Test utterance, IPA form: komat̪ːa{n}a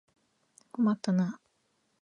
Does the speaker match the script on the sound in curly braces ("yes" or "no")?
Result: yes